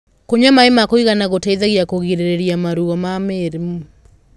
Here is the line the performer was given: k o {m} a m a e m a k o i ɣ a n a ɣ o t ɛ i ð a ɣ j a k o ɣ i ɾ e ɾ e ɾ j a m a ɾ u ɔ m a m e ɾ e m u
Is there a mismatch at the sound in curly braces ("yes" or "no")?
yes